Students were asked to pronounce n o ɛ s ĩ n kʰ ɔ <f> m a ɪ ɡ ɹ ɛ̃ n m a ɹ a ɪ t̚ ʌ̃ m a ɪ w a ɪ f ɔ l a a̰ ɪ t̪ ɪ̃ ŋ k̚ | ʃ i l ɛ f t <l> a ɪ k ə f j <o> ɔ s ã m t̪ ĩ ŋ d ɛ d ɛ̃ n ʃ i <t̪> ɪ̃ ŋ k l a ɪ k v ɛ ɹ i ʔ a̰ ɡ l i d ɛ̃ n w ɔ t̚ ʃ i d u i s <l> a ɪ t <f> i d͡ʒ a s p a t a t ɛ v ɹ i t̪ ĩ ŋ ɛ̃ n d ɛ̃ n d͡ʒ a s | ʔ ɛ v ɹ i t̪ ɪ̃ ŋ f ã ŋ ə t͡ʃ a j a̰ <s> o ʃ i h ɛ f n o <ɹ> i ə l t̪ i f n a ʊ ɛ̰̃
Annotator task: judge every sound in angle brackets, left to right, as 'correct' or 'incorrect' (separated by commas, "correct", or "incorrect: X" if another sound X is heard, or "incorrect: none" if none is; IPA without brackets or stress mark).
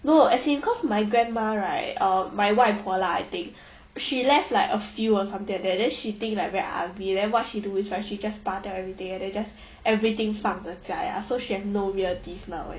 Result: incorrect: s, correct, incorrect: u, correct, incorrect: ɹ, incorrect: ʃ, correct, correct